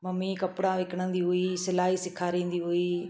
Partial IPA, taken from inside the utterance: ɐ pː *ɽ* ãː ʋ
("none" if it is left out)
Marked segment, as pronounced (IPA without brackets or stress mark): ɽ